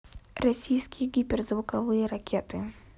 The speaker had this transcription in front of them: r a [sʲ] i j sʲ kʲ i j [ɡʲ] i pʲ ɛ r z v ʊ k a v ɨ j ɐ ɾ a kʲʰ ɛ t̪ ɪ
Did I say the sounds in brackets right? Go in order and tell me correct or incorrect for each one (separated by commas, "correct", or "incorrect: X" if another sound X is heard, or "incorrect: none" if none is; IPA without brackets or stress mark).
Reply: correct, correct